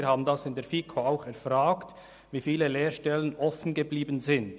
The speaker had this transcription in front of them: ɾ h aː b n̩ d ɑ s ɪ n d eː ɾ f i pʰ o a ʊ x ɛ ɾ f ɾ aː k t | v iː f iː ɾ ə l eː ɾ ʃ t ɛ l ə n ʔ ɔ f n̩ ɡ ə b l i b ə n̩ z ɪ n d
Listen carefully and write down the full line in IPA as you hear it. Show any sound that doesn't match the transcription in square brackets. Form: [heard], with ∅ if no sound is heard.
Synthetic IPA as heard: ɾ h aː b n̩ d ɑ s ɪ n d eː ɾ f i [kʰ] o a ʊ x ɛ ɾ f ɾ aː k t | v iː f iː [l] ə l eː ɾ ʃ t ɛ l ə n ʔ ɔ f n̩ ɡ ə b l [iː] b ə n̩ z ɪ n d